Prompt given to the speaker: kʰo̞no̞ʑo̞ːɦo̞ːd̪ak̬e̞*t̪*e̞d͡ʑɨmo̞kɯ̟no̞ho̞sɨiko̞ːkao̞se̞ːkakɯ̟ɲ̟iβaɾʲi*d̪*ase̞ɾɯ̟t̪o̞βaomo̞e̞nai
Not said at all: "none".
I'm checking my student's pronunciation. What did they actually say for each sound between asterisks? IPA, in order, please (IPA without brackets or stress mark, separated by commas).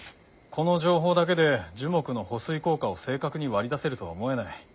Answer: d̪, d̪